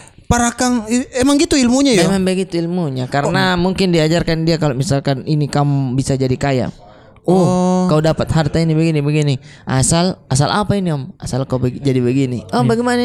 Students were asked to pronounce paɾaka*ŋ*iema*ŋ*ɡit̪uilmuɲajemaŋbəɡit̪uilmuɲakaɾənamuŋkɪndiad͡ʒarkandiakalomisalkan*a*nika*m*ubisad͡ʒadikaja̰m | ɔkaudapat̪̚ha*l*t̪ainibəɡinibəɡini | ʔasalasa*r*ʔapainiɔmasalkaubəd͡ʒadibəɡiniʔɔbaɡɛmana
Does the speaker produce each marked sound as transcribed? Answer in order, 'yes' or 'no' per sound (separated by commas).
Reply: yes, yes, no, yes, no, no